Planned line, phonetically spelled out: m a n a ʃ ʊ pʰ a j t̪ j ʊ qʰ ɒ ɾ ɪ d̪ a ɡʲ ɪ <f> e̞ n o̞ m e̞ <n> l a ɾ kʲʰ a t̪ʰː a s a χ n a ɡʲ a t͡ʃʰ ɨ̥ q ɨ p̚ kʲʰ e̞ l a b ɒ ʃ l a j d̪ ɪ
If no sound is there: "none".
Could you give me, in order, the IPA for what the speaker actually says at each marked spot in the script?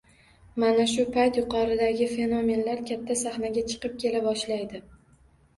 f, n

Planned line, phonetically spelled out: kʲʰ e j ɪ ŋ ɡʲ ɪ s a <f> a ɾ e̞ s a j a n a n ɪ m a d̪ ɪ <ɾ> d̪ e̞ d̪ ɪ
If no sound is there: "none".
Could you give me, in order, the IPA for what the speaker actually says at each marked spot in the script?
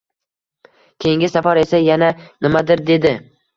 f, ɾ

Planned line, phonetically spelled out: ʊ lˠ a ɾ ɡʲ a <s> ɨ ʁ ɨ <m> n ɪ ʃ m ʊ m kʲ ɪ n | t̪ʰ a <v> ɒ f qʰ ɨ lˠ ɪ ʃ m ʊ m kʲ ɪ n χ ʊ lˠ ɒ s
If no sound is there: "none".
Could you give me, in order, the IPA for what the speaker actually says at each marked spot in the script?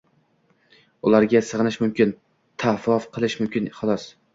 s, none, f

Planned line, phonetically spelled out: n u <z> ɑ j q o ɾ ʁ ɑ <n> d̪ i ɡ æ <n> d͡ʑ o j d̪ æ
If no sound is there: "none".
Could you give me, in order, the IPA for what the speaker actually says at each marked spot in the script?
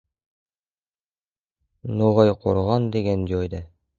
ʁ, n, n

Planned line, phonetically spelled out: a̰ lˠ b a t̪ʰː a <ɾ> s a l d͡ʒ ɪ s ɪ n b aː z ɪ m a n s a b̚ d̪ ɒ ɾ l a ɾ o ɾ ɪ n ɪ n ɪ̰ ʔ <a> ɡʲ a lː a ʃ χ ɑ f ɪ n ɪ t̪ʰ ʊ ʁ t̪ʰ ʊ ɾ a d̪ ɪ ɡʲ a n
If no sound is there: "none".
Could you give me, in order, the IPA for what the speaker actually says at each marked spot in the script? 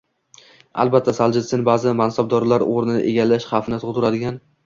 none, e

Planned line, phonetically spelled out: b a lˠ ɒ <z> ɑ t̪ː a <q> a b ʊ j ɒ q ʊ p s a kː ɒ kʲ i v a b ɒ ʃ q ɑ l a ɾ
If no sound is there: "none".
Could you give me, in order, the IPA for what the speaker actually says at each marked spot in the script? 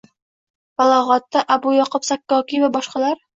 ʁ, ʔ

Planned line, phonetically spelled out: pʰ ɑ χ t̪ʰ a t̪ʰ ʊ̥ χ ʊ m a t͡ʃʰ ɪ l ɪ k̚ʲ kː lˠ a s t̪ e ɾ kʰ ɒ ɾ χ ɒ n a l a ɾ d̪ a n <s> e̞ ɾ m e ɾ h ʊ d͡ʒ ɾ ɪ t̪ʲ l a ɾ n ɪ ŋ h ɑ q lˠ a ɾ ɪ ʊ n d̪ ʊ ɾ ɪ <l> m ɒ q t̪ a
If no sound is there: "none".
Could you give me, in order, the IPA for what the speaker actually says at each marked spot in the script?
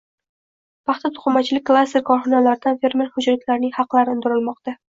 f, l

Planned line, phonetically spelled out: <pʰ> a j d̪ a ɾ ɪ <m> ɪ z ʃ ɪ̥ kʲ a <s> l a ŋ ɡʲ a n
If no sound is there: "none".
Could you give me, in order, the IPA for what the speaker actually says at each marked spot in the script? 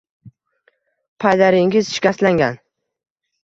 pʰ, ŋ, s

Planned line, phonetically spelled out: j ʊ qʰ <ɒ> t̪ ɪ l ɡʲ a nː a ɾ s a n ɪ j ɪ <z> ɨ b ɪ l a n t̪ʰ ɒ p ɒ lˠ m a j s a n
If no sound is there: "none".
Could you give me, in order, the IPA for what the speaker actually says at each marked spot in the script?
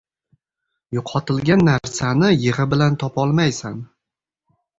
ɒ, ʁ

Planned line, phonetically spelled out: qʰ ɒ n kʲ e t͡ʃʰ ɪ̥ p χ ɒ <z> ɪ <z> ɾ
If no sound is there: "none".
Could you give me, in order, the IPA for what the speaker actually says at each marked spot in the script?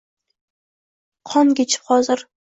z, none

